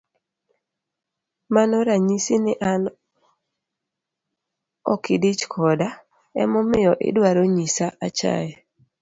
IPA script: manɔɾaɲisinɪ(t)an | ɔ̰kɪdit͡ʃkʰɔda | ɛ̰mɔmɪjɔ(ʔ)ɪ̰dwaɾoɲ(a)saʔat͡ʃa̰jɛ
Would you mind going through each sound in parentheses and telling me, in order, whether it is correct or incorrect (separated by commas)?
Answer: incorrect, correct, incorrect